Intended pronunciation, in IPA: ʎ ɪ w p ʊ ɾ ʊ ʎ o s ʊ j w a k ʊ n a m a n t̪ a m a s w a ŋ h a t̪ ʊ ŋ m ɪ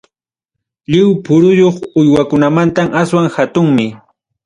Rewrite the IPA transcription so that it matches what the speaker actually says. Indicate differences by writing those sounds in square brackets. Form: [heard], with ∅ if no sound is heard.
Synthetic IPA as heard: ʎ ɪ w p ʊ ɾ ʊ [j] o [χ] ʊ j w a k ʊ n a m a n t̪ a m a s w a ŋ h a t̪ ʊ ŋ m ɪ